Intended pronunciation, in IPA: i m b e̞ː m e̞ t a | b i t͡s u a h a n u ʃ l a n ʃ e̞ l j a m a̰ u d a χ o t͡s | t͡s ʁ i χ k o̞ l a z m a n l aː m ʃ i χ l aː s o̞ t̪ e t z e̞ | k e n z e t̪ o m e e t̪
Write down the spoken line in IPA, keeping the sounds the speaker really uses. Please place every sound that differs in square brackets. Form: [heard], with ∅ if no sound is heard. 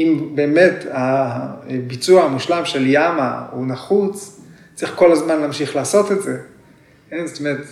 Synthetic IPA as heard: i m b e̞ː m e̞ t a | b i t͡s u a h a [m] u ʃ l a [m] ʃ e̞ l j a m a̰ u [n] a χ [u] t͡s | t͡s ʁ i χ k o̞ l a z m a n l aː m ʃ i χ l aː s o̞ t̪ e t z e̞ | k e n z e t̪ o m e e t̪